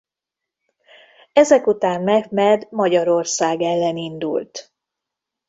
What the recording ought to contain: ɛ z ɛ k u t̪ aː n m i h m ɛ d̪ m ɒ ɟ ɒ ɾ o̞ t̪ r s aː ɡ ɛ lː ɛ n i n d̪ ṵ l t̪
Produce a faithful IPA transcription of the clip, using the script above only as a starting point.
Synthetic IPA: ɛ z ɛ k u t̪ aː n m ɛ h m ɛ d̪ m ɒ ɟ ɒ ɾ o̞ r s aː ɡ ɛ lː ɛ n i n d̪ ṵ l t̪